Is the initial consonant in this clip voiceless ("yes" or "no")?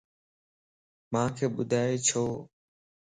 no